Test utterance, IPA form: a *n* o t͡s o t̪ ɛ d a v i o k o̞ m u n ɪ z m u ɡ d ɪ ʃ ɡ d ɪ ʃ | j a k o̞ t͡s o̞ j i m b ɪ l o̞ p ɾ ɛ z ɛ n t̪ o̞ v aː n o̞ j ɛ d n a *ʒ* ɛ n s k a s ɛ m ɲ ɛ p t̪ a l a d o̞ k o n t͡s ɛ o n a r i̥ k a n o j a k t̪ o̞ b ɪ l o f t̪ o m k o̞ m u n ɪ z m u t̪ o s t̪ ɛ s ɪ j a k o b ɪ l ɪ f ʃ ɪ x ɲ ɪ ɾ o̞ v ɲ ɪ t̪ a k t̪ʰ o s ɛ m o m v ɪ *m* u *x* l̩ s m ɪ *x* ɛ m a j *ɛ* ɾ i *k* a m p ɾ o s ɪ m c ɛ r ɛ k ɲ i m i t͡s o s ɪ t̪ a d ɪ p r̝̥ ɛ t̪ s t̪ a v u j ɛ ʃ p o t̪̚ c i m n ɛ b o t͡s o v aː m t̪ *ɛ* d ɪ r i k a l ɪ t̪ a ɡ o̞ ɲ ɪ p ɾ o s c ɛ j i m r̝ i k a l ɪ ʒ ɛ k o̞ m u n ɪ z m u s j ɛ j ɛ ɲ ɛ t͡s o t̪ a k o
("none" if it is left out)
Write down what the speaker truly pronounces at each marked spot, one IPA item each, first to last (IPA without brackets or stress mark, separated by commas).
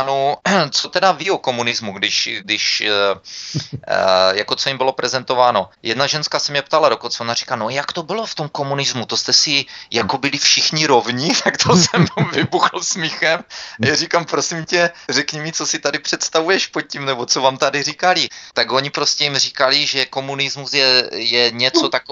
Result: n, ʒ, b, x, x, a, k, a